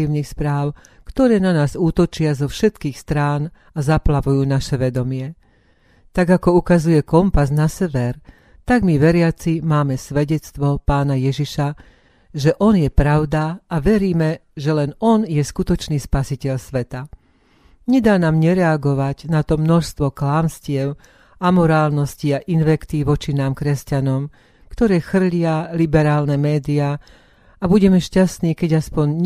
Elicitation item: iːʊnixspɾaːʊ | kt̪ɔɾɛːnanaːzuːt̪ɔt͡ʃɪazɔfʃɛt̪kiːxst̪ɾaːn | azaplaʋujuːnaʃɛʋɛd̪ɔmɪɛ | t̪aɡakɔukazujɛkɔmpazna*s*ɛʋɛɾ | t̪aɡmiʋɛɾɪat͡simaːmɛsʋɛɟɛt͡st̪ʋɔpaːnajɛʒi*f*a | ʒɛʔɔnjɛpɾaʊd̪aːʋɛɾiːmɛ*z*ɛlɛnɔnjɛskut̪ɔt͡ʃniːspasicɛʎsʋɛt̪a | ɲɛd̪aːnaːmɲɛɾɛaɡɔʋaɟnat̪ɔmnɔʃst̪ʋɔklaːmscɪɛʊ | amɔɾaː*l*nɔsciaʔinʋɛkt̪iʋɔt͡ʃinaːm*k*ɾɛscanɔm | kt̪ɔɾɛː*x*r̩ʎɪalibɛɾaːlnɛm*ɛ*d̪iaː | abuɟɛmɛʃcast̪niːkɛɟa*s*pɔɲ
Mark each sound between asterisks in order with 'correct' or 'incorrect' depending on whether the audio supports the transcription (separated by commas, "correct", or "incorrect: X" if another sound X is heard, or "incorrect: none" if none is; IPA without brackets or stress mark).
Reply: correct, incorrect: ʃ, incorrect: ʒ, correct, correct, correct, incorrect: ɛː, correct